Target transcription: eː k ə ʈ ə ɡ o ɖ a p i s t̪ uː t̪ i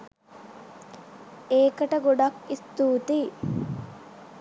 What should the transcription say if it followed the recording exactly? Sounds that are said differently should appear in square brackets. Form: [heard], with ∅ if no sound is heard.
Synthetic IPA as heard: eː k ə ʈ ə ɡ o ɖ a [k] i s t̪ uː t̪ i